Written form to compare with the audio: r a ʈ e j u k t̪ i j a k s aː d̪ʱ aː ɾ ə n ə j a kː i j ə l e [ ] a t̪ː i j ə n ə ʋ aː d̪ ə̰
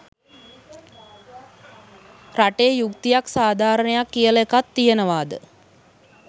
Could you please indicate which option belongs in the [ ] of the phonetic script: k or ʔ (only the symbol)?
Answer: k